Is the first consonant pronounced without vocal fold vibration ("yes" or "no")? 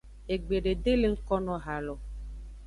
no